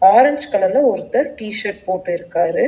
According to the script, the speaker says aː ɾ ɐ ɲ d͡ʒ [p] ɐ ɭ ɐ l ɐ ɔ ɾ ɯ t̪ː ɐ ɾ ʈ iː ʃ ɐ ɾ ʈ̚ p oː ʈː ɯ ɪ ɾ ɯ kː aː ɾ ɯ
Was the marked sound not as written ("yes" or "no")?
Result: yes